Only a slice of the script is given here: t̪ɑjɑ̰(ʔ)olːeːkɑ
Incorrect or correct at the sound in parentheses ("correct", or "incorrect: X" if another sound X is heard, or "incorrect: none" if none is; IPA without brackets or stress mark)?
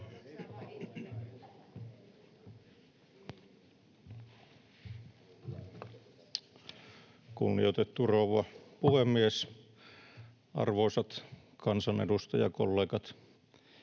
incorrect: k